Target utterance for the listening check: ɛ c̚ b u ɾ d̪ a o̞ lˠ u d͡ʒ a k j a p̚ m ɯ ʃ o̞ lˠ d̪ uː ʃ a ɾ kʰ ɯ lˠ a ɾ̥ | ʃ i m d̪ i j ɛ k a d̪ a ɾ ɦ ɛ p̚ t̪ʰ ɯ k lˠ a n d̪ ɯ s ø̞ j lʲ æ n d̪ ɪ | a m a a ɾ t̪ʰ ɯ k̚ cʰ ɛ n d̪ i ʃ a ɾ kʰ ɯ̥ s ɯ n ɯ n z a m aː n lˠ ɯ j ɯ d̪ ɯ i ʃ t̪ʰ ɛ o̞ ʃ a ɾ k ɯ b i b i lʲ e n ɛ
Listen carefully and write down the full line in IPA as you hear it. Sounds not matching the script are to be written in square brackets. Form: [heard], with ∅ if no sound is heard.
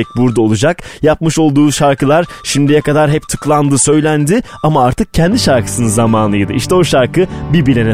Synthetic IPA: ɛ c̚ b u ɾ d̪ a o̞ lˠ u d͡ʒ a k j a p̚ m ɯ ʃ o̞ lˠ d̪ uː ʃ a ɾ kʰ ɯ lˠ a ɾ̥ | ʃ i m d̪ i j ɛ k a d̪ a ɾ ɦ ɛ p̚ t̪ʰ ɯ k lˠ a n d̪ ɯ s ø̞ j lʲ æ n d̪ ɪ | a m a a ɾ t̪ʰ ɯ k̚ cʰ ɛ n d̪ i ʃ a ɾ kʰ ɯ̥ s ɯ n ɯ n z a m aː n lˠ ɯ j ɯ d̪ ɯ i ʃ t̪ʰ ɛ o̞ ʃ a ɾ k ɯ b i b i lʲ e n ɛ